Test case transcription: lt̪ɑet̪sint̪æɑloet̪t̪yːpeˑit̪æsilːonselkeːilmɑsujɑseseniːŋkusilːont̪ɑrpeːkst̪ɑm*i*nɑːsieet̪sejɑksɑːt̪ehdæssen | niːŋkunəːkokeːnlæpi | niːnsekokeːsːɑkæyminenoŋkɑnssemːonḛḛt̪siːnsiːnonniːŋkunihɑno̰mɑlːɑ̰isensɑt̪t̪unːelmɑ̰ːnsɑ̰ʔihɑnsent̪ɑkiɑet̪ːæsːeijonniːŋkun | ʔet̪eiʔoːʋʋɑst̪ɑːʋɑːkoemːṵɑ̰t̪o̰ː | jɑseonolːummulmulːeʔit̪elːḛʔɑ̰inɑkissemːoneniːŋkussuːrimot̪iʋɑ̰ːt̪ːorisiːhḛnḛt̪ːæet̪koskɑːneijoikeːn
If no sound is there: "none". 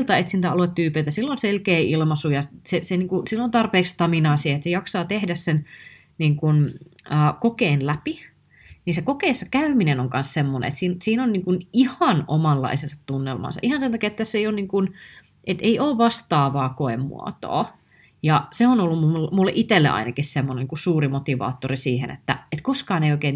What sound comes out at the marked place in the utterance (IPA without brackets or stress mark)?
i